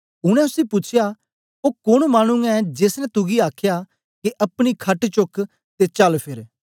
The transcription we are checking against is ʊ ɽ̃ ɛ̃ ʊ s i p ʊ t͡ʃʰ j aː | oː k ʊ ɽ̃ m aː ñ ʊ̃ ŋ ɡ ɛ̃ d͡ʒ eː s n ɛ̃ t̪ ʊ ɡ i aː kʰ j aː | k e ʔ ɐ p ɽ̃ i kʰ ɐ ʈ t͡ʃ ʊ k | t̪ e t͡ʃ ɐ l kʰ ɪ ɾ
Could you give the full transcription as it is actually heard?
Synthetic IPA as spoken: ʊ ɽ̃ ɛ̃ ʊ s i p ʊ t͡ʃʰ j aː | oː k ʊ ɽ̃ m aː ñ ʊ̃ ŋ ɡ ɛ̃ d͡ʒ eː s n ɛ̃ t̪ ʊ ɡ i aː kʰ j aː | k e ʔ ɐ p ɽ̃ i kʰ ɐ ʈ t͡ʃ ʊ k | t̪ e t͡ʃ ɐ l pʰ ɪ ɾ